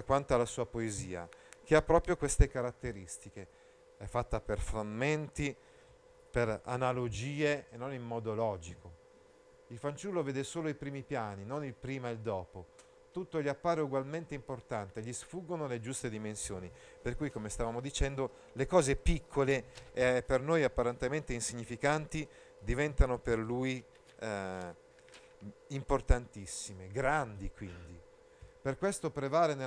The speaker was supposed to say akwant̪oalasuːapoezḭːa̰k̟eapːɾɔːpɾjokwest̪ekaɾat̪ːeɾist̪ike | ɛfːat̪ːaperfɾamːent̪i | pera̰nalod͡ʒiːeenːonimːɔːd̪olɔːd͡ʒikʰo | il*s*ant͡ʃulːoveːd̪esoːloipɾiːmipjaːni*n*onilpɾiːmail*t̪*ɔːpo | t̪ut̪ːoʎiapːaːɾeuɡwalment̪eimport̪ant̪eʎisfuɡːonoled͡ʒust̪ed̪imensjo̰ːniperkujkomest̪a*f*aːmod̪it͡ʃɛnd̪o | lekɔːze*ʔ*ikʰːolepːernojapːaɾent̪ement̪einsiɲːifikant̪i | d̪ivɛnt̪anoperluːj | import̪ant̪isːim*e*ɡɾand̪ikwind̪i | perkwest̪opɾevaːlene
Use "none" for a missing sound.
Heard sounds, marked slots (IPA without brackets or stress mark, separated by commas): f, n, d̪, v, p, e